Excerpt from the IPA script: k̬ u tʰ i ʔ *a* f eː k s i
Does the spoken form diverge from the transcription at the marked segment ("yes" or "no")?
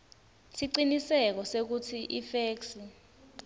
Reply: yes